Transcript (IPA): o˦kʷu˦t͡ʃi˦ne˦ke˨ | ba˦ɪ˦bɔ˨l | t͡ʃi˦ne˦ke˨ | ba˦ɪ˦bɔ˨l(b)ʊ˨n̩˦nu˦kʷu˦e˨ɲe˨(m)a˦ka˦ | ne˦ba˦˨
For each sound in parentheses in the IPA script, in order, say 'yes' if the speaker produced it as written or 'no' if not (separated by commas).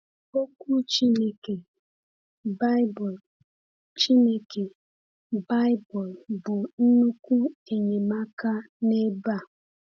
yes, yes